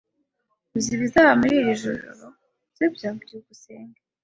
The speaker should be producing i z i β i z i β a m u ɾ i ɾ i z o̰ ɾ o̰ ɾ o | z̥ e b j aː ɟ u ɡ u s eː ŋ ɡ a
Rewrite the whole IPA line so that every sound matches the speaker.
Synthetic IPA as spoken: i z i β i z a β a m u ɾ i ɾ i ʒ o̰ ɾ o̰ ɾ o | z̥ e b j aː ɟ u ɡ u s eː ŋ ɡ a